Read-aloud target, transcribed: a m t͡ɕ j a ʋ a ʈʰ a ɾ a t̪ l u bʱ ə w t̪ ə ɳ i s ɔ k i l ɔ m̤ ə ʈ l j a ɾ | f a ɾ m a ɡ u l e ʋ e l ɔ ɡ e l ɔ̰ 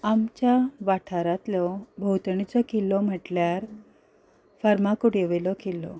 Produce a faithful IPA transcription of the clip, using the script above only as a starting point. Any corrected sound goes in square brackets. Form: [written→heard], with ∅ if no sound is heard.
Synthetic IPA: a m t͡ɕ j a ʋ a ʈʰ a ɾ a t̪ l [u→ɔ] bʱ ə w t̪ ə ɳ i [s→t͡s] ɔ k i l ɔ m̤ ə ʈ l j a ɾ | f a ɾ m a [ɡ→k] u [l→ɽ] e ʋ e l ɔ [ɡ→k] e l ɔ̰

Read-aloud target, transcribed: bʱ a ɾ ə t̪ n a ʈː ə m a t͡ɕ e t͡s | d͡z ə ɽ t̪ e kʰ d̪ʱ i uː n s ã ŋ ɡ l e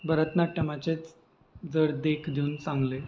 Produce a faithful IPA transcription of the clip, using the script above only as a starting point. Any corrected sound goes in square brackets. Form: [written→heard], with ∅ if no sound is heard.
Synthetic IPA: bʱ [a→ə] ɾ ə t̪ n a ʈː ə m a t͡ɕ e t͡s | d͡z ə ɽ [t̪→d̪] e kʰ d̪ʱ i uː n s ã ŋ ɡ l e

